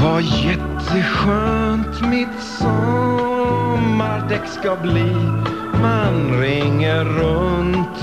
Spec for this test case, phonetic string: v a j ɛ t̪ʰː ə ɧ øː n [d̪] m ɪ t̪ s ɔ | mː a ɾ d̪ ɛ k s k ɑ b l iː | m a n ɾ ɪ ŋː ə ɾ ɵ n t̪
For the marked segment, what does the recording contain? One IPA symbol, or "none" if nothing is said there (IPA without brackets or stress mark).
t̪